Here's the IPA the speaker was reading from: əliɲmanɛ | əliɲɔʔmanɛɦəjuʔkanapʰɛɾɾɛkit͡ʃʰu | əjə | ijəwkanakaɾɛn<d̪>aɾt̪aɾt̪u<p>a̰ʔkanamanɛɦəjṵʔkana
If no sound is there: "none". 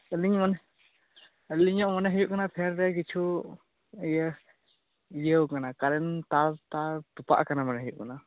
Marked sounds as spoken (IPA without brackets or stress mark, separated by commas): t̪, p